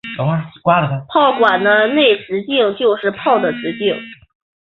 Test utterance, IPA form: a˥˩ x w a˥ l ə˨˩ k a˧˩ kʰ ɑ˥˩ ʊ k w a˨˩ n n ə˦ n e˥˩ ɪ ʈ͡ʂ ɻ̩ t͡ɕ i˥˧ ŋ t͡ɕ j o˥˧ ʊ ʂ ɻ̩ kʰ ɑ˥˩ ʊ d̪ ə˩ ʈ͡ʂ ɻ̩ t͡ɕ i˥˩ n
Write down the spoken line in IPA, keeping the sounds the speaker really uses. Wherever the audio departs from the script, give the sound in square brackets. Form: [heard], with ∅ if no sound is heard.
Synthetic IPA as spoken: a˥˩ [k] w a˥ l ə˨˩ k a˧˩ [pʰ] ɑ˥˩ ʊ k w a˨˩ n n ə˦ n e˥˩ ɪ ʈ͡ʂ ɻ̩ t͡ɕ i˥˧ ŋ t͡ɕ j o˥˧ ʊ ʂ ɻ̩ [pʰ] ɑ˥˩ ʊ d̪ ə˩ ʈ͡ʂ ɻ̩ t͡ɕ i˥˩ [ŋ]